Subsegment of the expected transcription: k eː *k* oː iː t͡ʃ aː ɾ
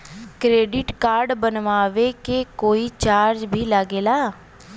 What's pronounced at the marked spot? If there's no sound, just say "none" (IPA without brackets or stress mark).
k